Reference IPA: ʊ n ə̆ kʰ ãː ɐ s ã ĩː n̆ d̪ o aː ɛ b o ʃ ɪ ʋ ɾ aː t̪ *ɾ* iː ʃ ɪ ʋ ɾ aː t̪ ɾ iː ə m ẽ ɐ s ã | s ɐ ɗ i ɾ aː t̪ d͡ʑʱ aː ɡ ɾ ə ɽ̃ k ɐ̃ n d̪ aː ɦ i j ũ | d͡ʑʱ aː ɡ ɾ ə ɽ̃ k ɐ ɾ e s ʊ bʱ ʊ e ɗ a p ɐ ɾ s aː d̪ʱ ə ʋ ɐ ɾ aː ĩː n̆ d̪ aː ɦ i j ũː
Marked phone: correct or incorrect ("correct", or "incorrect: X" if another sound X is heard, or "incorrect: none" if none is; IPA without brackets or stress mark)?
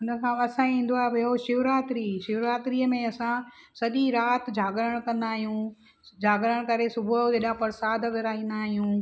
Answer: correct